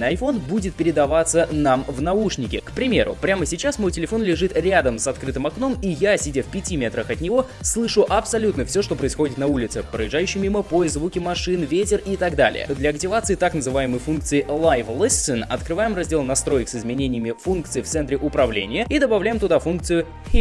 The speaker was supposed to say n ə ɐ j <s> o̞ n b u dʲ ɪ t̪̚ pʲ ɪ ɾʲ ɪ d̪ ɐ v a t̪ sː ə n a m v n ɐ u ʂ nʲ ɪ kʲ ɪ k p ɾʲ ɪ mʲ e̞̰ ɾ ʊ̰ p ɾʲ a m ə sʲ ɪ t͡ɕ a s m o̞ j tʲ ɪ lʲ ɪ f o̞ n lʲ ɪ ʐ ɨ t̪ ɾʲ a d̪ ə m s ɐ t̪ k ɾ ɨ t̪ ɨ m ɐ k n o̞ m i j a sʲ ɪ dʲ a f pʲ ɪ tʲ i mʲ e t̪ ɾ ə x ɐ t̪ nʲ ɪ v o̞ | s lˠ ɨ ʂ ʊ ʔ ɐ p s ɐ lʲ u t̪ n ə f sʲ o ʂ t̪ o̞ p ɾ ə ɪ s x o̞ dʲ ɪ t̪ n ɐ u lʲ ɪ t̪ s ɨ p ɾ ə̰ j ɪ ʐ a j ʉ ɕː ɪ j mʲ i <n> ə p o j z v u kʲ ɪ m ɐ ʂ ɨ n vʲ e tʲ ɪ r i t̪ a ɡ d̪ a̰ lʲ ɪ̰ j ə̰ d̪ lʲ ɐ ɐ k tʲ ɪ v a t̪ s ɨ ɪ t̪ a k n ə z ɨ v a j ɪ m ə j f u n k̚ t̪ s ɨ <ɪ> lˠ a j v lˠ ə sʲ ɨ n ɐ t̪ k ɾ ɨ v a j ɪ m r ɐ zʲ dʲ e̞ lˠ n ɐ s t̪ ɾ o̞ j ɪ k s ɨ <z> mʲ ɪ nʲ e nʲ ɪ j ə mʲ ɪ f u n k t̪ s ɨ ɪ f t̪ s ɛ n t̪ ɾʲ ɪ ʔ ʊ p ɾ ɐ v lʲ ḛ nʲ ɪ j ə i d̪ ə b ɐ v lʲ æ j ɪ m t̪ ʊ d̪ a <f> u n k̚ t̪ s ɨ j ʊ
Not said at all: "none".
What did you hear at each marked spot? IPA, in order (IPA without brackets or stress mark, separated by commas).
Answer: f, m, ɪ, z, f